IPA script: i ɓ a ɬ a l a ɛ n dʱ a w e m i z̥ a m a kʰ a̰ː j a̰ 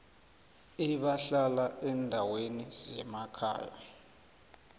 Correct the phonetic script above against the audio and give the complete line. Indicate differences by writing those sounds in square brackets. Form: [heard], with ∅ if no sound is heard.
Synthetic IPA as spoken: i ɓ a ɬ a l a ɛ n dʱ a w e [n] i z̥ [ɛ] m a kʰ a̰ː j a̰